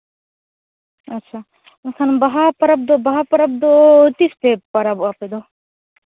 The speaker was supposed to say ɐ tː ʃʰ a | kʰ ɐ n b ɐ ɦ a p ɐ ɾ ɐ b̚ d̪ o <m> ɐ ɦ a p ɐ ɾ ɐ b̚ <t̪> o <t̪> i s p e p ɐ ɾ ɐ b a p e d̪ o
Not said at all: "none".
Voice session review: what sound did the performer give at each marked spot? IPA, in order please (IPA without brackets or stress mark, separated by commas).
b, d̪, t̪